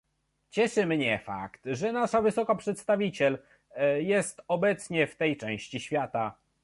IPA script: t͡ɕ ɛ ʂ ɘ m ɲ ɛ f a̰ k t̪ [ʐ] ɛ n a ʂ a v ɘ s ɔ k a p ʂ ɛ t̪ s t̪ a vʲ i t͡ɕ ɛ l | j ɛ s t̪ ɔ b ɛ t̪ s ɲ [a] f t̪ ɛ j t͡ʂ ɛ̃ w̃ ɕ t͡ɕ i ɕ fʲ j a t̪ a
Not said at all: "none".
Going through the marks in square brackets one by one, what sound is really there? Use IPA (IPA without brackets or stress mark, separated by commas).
ʐ, ɛ